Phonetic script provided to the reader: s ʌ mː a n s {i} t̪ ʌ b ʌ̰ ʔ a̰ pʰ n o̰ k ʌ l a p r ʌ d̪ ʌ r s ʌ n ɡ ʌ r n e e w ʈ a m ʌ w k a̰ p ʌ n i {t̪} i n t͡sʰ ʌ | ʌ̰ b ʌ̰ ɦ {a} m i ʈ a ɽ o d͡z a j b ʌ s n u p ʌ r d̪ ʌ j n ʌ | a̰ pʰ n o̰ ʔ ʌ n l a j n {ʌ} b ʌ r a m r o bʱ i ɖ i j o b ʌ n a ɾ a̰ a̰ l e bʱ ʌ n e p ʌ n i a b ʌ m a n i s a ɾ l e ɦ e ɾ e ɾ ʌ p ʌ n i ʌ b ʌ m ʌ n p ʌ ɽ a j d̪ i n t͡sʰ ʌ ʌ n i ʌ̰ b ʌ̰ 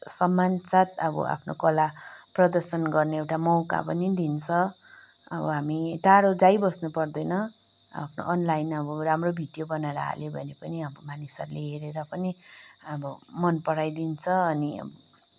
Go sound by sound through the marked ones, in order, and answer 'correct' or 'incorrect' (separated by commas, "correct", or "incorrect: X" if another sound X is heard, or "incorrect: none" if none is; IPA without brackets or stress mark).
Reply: incorrect: a, incorrect: d̪, correct, correct